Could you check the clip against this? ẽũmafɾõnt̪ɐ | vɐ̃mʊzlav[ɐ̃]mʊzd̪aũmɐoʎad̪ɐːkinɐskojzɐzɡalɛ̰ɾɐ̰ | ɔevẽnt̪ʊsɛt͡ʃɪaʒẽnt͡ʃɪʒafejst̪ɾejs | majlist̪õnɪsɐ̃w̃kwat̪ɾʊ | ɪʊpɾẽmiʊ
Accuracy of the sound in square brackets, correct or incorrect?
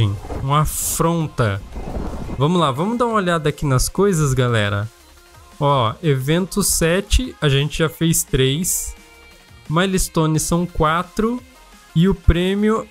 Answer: correct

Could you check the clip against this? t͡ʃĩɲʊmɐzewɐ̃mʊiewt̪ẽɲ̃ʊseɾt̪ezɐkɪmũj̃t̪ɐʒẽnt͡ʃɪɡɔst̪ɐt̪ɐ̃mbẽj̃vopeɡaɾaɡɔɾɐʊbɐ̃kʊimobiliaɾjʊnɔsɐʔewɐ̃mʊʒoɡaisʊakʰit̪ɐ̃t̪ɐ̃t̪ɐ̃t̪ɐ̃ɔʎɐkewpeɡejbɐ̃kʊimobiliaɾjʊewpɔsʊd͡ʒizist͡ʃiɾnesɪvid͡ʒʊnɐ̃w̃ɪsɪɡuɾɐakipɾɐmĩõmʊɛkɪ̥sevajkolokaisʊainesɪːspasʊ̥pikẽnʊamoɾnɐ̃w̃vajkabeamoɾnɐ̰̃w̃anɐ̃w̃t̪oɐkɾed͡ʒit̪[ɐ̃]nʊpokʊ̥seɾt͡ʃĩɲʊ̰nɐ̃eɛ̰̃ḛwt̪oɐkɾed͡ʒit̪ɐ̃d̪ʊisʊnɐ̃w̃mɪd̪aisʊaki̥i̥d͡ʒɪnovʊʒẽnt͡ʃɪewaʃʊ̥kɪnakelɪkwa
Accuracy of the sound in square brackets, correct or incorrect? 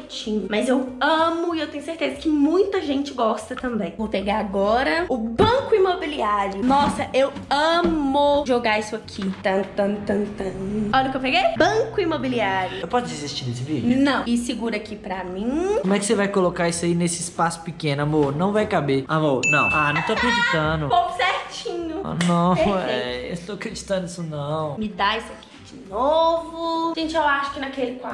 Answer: correct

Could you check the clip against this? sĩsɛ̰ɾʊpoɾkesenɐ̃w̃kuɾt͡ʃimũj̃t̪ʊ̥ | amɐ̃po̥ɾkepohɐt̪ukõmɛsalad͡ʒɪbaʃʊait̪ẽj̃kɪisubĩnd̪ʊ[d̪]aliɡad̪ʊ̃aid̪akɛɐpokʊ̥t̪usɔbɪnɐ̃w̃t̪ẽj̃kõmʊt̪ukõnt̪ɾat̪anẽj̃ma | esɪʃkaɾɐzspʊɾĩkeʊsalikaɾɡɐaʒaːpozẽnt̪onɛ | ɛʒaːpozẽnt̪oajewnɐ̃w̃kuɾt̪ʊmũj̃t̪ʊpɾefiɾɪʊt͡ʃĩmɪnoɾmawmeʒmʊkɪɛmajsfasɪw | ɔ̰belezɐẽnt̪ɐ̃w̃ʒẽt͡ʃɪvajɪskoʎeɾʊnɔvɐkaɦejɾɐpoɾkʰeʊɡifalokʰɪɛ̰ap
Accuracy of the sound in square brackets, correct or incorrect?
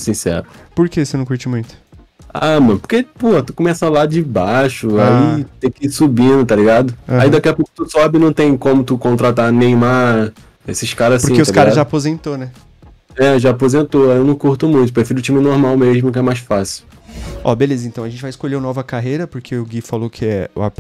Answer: incorrect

